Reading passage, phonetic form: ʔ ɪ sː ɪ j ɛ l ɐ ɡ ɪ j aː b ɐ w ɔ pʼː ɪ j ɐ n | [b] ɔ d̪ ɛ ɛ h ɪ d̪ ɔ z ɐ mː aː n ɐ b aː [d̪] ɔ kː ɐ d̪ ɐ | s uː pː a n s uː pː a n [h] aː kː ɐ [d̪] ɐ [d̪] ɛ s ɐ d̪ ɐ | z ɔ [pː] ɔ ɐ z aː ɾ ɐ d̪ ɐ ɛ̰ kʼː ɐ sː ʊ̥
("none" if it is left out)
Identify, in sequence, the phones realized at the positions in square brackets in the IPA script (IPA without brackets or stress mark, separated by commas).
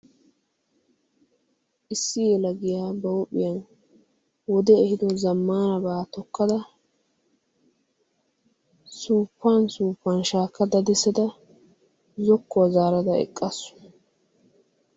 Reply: w, t̪, ʃ, d̪, d̪, kː